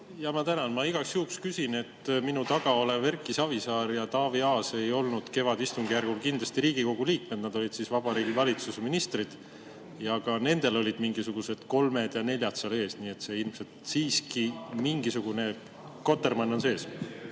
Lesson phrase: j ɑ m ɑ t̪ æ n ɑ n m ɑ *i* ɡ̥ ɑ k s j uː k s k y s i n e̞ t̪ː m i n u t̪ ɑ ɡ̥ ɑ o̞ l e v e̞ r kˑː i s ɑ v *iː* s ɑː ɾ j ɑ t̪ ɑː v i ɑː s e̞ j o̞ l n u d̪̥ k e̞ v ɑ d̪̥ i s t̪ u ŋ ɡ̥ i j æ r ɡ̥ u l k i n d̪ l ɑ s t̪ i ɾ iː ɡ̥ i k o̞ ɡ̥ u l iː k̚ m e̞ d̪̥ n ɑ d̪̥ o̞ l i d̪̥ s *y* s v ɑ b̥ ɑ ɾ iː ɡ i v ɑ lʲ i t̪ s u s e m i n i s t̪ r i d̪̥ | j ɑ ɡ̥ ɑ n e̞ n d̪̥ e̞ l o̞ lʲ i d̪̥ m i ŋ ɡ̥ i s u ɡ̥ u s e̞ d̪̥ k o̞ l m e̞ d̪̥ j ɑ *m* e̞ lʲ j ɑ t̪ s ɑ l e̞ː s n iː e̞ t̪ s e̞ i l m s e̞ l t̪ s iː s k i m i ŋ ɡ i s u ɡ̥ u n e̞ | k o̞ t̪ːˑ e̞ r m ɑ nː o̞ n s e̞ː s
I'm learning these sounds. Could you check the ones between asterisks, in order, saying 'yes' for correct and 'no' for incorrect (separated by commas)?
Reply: yes, no, no, no